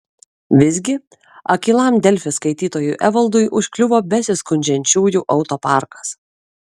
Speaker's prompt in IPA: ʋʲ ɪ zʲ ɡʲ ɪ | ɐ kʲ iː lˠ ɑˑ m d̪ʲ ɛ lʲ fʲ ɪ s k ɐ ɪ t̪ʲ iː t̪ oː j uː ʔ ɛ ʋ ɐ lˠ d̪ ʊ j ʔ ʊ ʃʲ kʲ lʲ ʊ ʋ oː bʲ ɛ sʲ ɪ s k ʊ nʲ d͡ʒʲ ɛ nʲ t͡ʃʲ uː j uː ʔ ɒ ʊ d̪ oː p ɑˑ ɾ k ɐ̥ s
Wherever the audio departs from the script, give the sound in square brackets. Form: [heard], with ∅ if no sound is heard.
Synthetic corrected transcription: ʋʲ ɪ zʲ ɡʲ ɪ | ɐ kʲ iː lˠ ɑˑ m d̪ʲ ɛ lʲ fʲ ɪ s k ɐ ɪ t̪ʲ iː t̪ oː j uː ʔ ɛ ʋ ɐ lˠ d̪ ʊ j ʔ ʊ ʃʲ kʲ lʲ ʊ ʋ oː bʲ ɛ sʲ ɪ s k ʊ nʲ d͡ʒʲ ɛ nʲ t͡ʃʲ uː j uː ʔ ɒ ʊ [t̪] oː p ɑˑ ɾ k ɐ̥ s